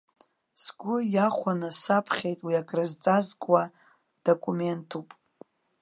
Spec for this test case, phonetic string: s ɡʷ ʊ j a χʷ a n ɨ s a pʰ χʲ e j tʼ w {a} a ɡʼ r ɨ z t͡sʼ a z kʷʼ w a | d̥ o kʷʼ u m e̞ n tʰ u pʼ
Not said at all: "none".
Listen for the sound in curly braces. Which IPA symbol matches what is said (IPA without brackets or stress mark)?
i